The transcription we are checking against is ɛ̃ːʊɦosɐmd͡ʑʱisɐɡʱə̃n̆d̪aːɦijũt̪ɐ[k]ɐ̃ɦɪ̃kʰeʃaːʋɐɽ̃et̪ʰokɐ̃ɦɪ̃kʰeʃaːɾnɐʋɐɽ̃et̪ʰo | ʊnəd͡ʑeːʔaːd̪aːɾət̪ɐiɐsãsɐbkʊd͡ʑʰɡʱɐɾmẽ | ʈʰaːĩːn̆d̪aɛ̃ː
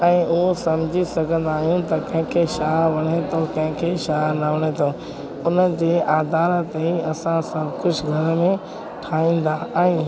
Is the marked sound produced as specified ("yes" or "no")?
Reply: yes